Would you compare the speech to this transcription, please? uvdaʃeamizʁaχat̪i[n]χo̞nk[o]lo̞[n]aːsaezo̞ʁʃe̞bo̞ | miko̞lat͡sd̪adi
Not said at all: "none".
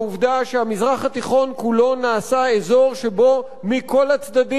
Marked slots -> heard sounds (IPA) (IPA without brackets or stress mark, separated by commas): none, u, n